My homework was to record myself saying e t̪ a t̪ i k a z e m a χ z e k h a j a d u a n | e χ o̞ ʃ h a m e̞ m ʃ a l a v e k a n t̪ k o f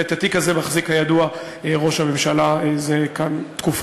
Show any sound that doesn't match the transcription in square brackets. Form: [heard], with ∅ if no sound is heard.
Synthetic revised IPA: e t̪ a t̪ i k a z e m a χ z [i] k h a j a d u a [∅] | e [ʁ] o̞ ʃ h a m e̞ m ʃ a l a [z] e k a n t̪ k [u] f

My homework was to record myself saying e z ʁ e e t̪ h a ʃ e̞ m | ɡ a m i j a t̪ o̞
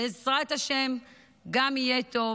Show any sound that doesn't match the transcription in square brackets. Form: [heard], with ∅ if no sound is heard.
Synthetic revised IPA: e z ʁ [a] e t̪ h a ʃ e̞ m | ɡ a m i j [e] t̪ o̞

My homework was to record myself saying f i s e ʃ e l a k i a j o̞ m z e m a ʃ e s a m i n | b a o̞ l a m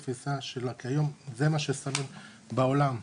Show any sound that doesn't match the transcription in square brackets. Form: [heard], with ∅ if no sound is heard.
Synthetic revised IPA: f i s [a] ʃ e l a k i a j o̞ m z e m a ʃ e s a m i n | b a o̞ l a m

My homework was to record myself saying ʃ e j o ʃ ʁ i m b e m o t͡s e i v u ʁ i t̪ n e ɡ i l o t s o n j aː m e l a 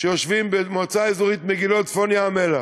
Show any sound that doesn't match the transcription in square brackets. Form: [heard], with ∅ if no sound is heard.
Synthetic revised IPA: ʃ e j o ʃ [v] i m b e m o t͡s [a] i [z] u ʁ i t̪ [m] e ɡ i l o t [f] o n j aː m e l a

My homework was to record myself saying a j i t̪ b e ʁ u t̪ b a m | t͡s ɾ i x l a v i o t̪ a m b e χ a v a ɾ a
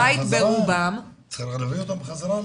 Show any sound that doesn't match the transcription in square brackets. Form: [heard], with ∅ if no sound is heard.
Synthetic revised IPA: a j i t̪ b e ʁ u [∅] b a m | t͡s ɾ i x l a v i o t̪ a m b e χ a [z] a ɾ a

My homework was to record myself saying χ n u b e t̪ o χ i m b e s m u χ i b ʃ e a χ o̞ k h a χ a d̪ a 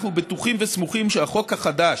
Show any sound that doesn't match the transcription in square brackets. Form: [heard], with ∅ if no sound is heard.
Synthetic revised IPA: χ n u b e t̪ [u] χ i m [v] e s m u χ i [m] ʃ e a χ o̞ k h a χ a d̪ a

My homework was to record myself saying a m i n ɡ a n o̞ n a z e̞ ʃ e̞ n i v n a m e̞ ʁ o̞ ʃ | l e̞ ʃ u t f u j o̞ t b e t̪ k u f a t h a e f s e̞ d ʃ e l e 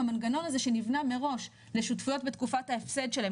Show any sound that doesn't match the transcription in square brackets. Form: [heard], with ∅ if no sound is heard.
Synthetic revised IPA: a m [a] n ɡ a n o̞ n a z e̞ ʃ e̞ n i v n a m e̞ ʁ o̞ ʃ | l e̞ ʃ u t f u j o̞ t b e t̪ k u f a t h a e f s e̞ d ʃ e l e

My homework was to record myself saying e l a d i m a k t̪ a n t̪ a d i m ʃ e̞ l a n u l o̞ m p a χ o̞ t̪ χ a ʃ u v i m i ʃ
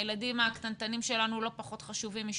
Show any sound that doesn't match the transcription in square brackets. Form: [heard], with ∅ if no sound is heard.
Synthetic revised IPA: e l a d i m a k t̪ a n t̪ a [n] i m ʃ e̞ l a n u l o̞ [∅] p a χ o̞ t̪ χ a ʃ u v i m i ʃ

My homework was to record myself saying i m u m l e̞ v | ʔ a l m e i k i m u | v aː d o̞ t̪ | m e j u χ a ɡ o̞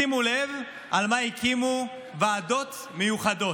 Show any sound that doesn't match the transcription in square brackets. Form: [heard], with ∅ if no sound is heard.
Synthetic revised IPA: i m u [∅] l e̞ v | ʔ a l m [a] i k i m u | v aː d o̞ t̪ | m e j u χ a [d] o̞

